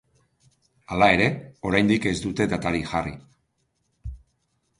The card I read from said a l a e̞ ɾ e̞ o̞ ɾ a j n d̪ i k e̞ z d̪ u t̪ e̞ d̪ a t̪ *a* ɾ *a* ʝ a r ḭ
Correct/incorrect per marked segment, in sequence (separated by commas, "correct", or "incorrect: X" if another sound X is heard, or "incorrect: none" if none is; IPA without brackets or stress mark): correct, incorrect: i